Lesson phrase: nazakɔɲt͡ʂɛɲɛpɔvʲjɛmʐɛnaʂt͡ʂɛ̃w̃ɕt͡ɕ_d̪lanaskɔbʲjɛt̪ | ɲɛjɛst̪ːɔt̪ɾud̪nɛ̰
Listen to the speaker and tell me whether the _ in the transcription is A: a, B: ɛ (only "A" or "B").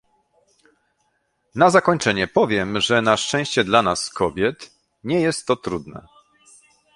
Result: B